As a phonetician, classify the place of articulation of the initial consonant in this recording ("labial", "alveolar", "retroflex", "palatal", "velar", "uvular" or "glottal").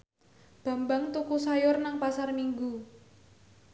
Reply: labial